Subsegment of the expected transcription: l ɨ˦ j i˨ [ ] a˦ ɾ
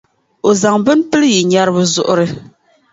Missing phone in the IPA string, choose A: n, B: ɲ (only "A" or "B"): B